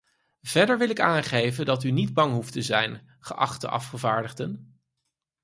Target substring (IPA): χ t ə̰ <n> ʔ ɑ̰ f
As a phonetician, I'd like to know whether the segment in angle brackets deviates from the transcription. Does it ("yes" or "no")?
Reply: yes